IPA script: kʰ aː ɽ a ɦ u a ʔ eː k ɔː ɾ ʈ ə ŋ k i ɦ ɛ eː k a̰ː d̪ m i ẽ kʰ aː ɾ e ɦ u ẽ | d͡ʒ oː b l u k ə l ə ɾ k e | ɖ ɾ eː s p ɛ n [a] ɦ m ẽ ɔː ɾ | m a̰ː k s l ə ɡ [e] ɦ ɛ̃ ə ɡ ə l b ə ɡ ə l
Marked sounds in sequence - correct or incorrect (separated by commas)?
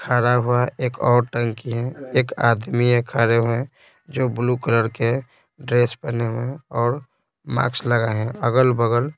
incorrect, incorrect